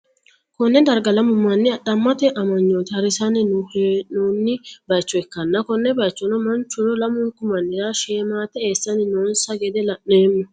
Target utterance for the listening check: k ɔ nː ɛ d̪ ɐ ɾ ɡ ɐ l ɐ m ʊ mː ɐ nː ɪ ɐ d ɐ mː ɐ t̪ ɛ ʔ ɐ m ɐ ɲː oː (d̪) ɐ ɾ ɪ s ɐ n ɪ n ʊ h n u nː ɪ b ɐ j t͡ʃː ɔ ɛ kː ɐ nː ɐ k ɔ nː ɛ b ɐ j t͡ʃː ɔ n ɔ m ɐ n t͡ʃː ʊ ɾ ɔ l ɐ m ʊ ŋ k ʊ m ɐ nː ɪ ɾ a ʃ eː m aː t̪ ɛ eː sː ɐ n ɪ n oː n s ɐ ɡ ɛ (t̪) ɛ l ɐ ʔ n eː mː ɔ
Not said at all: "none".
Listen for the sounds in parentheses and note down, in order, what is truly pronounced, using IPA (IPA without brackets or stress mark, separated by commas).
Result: t̪, d̪